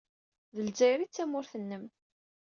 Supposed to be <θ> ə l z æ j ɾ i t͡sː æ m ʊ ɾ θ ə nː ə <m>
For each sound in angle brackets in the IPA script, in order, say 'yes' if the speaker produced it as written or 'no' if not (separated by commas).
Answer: no, yes